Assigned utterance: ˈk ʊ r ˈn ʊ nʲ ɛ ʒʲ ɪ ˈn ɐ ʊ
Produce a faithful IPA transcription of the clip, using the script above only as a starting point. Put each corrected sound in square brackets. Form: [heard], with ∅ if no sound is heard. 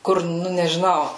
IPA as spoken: ˈk ʊ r ˈn ʊ nʲ ɛ ʒʲ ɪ ˈn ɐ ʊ